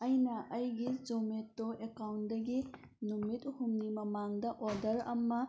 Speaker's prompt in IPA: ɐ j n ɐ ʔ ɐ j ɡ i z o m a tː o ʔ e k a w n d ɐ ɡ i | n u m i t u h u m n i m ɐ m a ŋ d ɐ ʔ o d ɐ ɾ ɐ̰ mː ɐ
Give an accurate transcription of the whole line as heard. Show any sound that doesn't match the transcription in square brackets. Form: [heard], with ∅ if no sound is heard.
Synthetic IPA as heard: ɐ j n ɐ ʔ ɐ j ɡ i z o m [e] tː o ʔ e k a w n d ɐ ɡ i | n u m i t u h u m n i m ɐ m a ŋ d ɐ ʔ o d ɐ ɾ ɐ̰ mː ɐ